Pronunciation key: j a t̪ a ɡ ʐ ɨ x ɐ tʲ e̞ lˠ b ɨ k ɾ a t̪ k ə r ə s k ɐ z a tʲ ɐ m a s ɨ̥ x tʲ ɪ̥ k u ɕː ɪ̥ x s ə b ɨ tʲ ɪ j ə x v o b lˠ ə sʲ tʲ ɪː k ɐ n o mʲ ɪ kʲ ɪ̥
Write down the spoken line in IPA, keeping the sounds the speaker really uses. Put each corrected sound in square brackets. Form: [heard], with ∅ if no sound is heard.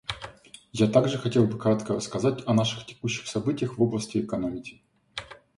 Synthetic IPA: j a t̪ a ɡ ʐ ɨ x ɐ tʲ e̞ lˠ b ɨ k ɾ a t̪ k ə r ə s k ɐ z a tʲ ɐ [n] a [ʂ] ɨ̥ x tʲ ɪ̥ k u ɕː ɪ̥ x s [ɐ] b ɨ tʲ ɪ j ə x v o b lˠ ə sʲ tʲ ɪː k ɐ n o mʲ ɪ kʲ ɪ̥